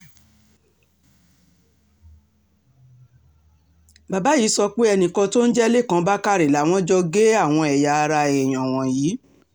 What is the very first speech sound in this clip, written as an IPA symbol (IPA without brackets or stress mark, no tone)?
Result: b